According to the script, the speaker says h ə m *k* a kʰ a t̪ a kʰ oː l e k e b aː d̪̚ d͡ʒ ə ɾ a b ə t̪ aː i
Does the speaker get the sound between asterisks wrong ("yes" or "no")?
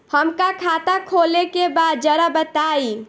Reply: no